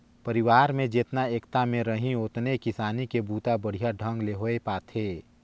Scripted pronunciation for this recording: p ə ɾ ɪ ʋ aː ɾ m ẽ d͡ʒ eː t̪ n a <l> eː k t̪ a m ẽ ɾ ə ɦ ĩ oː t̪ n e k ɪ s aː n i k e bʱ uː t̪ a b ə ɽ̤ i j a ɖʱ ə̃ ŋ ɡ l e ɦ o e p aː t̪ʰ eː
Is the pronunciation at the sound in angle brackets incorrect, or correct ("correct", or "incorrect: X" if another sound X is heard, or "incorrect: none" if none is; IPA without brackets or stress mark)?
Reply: incorrect: none